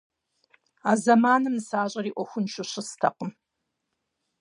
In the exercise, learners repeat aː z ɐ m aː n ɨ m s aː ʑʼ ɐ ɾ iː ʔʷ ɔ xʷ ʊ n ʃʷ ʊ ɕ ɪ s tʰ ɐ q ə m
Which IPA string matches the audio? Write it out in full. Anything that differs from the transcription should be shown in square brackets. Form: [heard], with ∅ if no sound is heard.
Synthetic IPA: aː z ɐ m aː n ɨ m s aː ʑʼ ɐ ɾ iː ʔʷ ɔ xʷ ʊ n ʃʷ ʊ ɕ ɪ s tʰ ɐ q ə m